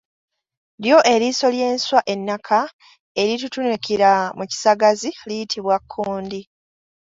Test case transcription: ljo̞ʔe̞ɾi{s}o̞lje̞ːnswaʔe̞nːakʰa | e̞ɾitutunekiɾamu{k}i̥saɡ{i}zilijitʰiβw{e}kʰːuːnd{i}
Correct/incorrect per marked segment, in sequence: correct, incorrect: c, incorrect: a, incorrect: a, correct

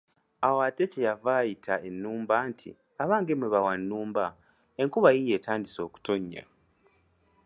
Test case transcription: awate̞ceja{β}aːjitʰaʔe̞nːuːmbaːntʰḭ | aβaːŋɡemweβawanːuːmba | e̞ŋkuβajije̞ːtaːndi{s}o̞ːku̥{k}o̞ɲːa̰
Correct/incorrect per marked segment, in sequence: incorrect: v, correct, incorrect: t

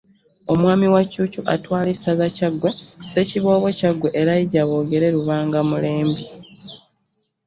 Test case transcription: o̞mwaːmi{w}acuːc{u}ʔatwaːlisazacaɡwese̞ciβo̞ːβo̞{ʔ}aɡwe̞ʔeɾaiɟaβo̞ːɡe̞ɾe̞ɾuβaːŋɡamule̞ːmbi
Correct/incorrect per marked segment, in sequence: correct, correct, incorrect: c

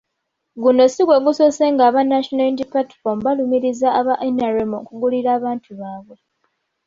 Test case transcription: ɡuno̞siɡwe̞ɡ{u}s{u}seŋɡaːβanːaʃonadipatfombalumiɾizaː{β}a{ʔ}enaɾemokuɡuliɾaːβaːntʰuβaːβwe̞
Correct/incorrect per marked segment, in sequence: correct, incorrect: o, correct, correct

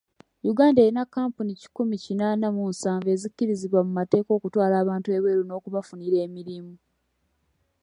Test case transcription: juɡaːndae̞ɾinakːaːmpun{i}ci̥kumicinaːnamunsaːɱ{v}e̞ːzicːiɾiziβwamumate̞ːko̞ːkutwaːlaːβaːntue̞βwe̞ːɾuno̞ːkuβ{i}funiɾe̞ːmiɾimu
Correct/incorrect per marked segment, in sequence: correct, correct, incorrect: a

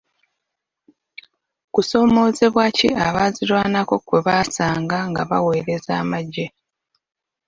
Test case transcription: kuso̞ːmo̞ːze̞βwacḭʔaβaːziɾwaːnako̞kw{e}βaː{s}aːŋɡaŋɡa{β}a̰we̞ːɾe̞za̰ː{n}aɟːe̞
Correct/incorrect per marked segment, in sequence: correct, correct, correct, incorrect: m

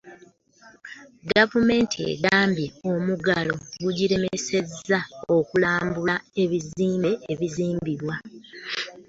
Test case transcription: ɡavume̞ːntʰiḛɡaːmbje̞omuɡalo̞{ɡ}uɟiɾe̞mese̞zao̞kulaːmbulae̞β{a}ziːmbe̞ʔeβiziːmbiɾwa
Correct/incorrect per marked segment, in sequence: correct, incorrect: i

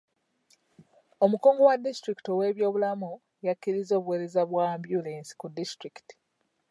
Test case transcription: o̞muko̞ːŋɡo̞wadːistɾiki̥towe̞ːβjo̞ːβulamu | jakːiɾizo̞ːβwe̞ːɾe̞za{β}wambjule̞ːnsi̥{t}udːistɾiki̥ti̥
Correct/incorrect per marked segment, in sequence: correct, incorrect: k

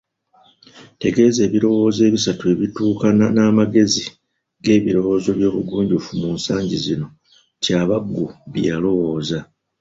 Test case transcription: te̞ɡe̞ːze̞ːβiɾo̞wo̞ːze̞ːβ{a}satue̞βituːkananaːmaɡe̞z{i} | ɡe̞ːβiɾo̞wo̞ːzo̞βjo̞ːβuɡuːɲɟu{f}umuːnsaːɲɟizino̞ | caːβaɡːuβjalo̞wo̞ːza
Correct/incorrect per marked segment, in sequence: incorrect: i, correct, correct

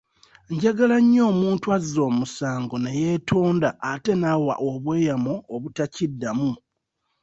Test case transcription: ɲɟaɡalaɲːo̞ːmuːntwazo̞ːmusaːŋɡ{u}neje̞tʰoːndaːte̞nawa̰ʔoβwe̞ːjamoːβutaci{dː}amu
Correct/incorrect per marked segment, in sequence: incorrect: o, correct

